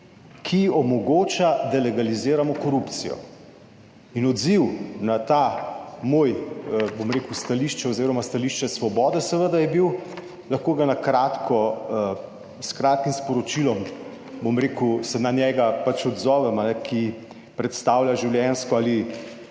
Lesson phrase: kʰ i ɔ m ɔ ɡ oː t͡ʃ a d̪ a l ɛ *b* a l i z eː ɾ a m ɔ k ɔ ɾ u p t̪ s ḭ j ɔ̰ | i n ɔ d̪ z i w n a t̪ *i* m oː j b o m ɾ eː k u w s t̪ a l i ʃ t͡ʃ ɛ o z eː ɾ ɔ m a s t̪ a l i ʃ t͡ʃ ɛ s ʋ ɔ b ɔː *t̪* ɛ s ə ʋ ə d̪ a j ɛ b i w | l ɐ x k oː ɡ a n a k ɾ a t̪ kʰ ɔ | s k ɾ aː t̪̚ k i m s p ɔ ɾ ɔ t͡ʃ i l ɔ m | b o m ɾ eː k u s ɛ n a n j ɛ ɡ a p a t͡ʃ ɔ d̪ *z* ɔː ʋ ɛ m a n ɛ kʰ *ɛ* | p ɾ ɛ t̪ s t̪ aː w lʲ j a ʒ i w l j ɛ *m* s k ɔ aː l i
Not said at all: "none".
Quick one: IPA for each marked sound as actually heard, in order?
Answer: ɡ, a, d̪, z, i, n

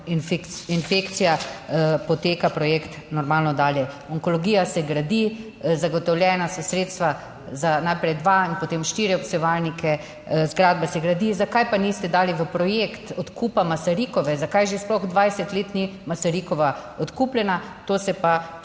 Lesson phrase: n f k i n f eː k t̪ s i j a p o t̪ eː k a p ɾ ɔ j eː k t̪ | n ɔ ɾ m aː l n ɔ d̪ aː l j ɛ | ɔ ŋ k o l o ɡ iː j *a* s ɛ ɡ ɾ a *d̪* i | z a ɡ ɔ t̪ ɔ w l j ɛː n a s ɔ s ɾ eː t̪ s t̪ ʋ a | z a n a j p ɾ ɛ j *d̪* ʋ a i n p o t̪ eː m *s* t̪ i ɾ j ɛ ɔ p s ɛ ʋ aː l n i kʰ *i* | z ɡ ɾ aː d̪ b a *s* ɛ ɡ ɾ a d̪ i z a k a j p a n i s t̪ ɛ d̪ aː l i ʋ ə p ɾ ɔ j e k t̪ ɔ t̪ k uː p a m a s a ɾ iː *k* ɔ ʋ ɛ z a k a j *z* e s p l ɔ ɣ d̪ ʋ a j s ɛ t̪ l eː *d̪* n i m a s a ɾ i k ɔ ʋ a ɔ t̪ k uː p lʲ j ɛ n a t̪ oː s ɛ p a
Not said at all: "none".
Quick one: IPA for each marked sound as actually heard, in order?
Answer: a, d̪, d̪, ʃ, ɛ, s, k, ʒ, t̪

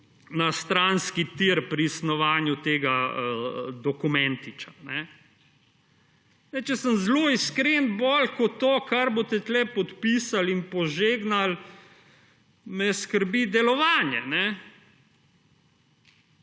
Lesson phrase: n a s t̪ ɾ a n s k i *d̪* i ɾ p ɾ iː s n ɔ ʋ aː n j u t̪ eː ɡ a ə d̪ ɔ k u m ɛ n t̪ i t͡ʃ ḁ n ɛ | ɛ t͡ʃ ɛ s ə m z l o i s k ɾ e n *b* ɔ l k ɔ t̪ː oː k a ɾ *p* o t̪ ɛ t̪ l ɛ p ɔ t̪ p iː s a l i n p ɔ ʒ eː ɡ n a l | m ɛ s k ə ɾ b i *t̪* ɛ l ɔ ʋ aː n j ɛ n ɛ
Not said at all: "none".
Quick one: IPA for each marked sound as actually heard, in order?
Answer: t̪, b, b, d̪

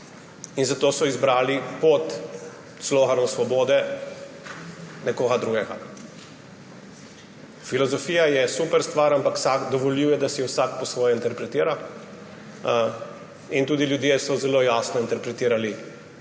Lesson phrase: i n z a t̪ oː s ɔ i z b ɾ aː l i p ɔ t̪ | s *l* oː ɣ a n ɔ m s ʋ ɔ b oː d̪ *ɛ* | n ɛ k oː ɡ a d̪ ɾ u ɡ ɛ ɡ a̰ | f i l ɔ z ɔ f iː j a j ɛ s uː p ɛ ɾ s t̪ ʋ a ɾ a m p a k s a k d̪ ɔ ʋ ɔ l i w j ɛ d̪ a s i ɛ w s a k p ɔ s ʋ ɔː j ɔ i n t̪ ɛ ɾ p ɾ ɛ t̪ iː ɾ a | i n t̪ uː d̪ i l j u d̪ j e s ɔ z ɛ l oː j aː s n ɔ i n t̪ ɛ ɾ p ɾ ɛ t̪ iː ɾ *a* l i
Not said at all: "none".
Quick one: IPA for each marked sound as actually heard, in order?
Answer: l, ɛ, a

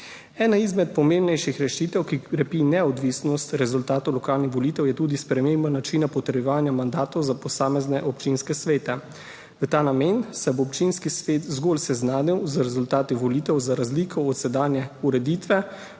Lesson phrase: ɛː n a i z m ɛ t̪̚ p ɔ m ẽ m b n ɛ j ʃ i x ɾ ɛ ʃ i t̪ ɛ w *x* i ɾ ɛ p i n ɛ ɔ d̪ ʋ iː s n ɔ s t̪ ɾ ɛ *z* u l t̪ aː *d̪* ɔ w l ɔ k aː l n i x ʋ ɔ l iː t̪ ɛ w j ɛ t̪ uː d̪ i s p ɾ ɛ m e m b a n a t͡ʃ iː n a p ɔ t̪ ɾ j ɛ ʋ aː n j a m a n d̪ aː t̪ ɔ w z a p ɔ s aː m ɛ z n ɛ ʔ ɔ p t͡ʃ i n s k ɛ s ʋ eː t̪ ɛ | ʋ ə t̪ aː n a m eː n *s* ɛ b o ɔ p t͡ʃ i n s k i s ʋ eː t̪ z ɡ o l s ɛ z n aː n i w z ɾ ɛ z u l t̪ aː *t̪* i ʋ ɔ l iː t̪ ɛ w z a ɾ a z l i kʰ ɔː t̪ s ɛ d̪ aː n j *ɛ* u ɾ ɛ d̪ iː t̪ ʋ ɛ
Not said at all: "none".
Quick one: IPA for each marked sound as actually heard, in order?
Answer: k, z, t̪, s, t̪, ɛ

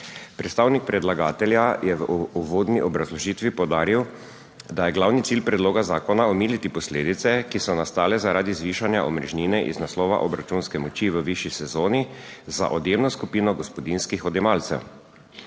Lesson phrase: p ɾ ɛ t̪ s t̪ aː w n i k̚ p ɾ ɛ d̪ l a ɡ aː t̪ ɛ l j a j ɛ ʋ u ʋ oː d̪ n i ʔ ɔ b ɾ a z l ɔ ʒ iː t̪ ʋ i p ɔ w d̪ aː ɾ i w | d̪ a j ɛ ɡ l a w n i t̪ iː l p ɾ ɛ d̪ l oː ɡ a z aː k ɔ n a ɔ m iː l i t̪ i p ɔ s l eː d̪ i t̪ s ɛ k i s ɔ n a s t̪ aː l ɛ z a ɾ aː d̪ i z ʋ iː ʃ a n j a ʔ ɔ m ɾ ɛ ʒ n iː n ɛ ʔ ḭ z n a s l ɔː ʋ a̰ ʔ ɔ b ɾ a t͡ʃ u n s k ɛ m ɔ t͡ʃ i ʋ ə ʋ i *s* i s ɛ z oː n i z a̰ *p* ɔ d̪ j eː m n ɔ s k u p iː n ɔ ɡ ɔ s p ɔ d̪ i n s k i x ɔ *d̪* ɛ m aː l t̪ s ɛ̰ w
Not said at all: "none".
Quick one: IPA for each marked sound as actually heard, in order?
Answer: ʃ, ʔ, d̪

